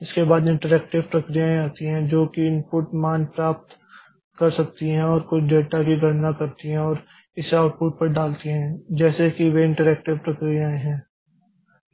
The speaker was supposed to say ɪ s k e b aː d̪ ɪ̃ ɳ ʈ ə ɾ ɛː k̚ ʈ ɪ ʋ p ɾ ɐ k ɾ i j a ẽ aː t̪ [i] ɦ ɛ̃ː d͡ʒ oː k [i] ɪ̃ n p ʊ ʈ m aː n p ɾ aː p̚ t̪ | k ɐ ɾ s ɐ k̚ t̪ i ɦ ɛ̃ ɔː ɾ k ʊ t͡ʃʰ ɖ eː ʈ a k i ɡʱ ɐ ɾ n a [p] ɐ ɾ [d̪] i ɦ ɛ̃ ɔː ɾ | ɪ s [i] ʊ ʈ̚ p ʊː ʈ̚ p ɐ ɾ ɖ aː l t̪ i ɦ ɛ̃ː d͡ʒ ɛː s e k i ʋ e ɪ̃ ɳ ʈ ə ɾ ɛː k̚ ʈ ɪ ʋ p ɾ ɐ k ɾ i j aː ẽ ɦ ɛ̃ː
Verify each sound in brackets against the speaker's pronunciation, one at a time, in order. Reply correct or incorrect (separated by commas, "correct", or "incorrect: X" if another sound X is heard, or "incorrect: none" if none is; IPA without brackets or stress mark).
correct, correct, incorrect: k, incorrect: t̪, incorrect: a